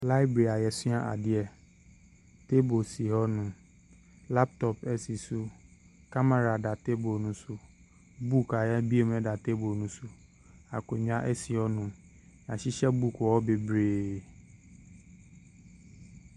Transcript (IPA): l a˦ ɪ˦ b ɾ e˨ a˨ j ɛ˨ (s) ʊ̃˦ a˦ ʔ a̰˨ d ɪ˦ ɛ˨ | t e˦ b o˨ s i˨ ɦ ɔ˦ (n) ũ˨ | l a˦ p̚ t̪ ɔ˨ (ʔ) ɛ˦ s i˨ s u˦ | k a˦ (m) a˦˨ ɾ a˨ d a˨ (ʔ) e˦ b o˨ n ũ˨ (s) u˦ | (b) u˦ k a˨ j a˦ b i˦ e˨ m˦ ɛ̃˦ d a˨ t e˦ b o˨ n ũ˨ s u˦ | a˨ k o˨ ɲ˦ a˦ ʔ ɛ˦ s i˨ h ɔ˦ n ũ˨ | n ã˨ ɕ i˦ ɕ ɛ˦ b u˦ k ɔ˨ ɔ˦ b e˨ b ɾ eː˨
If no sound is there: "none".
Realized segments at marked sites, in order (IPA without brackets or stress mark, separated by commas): s, n, p, m, t, s, b